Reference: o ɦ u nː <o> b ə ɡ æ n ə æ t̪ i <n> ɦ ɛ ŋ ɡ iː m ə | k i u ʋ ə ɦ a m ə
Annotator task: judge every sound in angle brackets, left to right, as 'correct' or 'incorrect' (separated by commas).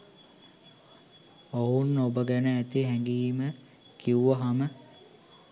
correct, incorrect